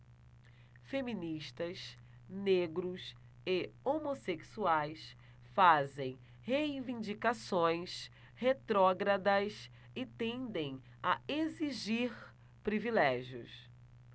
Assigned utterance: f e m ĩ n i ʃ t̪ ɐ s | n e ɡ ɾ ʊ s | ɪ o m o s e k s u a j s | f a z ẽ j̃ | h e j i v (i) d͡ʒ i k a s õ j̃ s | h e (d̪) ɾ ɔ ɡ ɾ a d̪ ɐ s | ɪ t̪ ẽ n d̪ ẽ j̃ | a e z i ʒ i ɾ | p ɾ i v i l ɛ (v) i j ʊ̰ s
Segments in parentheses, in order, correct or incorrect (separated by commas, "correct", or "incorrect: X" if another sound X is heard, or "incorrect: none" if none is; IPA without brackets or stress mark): incorrect: ĩ, incorrect: t̪, incorrect: ʒ